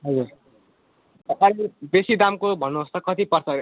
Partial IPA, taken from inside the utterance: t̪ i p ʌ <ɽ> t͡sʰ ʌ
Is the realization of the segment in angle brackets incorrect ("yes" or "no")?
yes